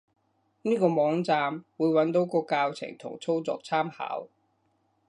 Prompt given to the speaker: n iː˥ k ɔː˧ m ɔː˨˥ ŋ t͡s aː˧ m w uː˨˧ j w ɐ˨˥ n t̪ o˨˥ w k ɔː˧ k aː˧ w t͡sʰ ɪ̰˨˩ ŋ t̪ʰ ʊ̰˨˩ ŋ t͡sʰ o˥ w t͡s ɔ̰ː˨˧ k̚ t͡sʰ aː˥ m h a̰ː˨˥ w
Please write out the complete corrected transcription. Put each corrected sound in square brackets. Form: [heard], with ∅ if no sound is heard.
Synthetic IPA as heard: n iː˥ k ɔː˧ m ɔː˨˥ ŋ t͡s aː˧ m w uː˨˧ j w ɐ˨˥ n t̪ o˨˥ w k ɔː˧ k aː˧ w t͡sʰ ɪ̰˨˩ ŋ t̪ʰ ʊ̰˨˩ ŋ t͡sʰ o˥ w t͡s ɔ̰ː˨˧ k̚ t͡sʰ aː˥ m h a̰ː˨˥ w